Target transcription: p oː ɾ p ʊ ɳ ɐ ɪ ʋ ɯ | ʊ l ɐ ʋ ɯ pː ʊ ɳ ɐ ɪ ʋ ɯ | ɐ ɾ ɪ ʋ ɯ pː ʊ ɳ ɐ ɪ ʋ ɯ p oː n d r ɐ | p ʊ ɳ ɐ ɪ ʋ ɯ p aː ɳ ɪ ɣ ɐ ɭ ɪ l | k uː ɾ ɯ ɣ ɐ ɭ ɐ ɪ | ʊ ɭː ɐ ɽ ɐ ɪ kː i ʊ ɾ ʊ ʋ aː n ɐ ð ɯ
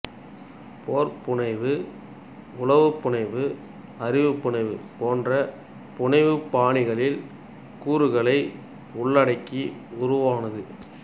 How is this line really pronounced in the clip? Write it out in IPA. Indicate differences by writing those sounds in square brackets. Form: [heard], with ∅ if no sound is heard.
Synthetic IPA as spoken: p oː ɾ p ʊ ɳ ɐ ɪ ʋ ɯ | ʊ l ɐ ʋ ɯ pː ʊ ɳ ɐ ɪ ʋ ɯ | ɐ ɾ ɪ ʋ ɯ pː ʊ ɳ ɐ ɪ ʋ ɯ p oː n d r ɐ | p ʊ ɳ ɐ ɪ ʋ ɯ p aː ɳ ɪ ɣ ɐ ɭ ɪ l | k uː ɾ ɯ ɣ ɐ ɭ ɐ ɪ | ʊ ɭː ɐ ɽ ɐ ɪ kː i ʊ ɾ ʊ ʋ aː n ɐ ð ɯ